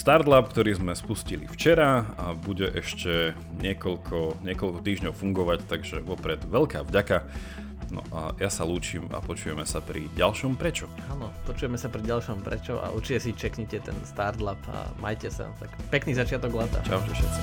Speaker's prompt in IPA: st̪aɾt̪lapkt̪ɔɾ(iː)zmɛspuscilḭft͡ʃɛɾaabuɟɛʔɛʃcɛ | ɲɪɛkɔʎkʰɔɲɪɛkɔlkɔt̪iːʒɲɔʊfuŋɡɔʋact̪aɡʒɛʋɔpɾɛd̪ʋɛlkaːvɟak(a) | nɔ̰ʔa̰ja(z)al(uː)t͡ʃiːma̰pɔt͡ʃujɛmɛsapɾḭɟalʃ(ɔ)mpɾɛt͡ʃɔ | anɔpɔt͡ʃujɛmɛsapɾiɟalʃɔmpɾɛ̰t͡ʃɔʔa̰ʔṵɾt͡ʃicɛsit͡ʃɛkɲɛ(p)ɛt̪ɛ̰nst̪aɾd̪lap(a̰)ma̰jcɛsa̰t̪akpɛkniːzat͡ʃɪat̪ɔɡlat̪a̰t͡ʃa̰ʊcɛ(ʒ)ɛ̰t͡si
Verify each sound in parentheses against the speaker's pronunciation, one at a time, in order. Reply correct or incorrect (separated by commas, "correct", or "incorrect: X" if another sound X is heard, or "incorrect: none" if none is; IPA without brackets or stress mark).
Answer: correct, correct, incorrect: s, correct, correct, incorrect: c, correct, incorrect: ʃ